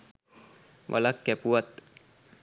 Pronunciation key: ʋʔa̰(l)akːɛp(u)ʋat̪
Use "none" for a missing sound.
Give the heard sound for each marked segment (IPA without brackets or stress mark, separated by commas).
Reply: l, u